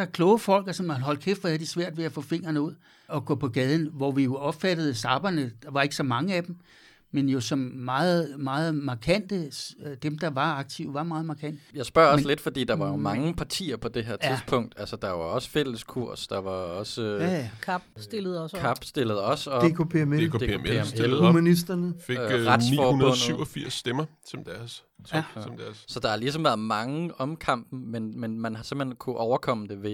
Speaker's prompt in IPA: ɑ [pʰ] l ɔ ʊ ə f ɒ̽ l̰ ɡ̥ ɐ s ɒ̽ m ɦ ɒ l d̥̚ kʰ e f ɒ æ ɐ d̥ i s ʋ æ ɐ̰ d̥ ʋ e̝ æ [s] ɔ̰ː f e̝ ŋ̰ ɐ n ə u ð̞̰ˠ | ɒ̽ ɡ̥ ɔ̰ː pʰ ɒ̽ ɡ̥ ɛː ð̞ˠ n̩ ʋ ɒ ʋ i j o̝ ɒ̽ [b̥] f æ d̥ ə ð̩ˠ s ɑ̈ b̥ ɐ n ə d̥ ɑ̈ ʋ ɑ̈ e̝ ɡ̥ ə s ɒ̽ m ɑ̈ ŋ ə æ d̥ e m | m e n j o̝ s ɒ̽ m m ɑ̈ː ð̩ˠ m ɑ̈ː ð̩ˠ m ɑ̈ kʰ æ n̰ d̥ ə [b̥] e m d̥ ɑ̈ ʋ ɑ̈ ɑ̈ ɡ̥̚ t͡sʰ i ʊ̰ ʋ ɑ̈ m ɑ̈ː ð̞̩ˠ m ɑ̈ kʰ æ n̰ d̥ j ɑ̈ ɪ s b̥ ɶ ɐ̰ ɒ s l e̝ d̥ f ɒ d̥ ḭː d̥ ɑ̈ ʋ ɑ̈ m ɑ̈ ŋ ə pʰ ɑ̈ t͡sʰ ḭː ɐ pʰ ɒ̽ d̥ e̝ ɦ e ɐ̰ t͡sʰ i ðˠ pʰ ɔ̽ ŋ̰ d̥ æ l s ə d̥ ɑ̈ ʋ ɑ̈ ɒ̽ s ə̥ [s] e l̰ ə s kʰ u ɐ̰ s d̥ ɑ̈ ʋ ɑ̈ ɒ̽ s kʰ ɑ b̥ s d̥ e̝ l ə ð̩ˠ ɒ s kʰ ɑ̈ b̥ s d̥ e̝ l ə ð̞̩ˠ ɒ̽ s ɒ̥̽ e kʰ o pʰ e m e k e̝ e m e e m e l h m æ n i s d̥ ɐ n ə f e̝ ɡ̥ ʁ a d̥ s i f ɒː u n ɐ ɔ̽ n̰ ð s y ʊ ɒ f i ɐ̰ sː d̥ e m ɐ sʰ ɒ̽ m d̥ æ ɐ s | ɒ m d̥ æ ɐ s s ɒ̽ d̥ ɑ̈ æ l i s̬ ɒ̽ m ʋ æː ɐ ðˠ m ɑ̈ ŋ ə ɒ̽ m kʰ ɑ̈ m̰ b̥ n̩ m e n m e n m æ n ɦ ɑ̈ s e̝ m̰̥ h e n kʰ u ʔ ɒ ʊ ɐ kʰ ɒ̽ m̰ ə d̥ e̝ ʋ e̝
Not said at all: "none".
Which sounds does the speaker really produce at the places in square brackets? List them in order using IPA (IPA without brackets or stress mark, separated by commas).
kʰ, f, b̥, d̥, f